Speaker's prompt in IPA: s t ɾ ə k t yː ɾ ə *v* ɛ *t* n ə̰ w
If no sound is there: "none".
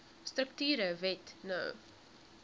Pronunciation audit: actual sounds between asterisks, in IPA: v, t

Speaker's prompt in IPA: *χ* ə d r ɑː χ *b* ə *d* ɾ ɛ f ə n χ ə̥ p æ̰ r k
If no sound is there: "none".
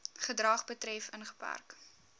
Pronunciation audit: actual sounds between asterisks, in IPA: χ, b, t

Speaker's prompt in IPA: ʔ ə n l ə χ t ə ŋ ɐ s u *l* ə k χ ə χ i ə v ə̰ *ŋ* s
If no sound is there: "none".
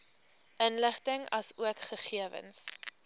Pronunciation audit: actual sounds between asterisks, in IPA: none, n

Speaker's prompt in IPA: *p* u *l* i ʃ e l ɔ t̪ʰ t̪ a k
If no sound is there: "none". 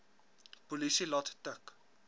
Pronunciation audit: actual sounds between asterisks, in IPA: p, l

